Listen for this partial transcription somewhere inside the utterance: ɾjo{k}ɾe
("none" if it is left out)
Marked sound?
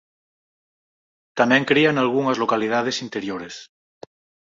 none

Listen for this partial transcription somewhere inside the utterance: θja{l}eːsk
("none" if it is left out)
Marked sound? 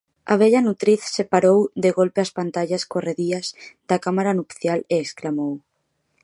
l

